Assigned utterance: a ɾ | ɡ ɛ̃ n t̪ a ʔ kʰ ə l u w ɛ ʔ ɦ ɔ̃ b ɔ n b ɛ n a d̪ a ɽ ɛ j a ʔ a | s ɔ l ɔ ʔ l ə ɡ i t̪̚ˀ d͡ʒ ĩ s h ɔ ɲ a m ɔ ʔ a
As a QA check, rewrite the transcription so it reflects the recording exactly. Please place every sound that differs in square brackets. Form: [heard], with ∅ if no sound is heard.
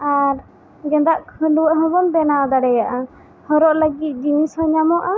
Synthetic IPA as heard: a ɾ | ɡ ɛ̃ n [d̪] a ʔ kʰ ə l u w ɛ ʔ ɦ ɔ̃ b ɔ n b ɛ n a d̪ a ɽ ɛ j a ʔ a | [h] ɔ [ɾ] ɔ ʔ l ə ɡ i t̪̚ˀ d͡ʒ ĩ s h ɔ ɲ a m ɔ ʔ a

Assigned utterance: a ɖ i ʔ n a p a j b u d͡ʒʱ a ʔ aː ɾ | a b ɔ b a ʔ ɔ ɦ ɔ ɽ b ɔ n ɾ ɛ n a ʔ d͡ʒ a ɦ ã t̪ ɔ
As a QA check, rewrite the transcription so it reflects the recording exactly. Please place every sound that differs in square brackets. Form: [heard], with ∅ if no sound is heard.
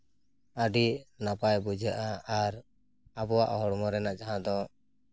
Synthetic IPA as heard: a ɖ i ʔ n a p a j b u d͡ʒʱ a ʔ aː ɾ | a b ɔ [w] a ʔ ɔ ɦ ɔ ɽ [m] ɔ [∅] ɾ ɛ n a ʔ d͡ʒ a ɦ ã [d̪] ɔ

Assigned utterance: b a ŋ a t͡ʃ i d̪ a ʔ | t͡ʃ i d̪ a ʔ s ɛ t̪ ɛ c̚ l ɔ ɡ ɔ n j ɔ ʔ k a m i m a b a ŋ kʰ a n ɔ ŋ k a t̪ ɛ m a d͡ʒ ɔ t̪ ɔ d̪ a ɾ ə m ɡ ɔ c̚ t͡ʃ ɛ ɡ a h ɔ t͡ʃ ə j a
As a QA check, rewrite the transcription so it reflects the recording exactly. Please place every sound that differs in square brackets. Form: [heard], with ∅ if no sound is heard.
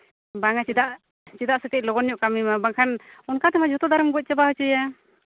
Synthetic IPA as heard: b a ŋ a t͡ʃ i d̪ a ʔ | t͡ʃ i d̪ a ʔ s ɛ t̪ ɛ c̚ l ɔ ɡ ɔ n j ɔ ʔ k a m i m a b a ŋ kʰ a n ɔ [n] k a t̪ ɛ m a d͡ʒ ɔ t̪ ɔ d̪ a ɾ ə m ɡ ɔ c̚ t͡ʃ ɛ [b] a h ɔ t͡ʃ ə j a

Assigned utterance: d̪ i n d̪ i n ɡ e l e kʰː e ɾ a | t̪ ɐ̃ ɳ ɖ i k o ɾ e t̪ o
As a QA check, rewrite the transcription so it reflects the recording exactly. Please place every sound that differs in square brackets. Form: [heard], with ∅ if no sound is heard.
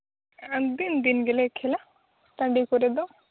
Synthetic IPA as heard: d̪ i n d̪ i n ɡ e l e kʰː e [l] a | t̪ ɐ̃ ɳ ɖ i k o ɾ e [d̪] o

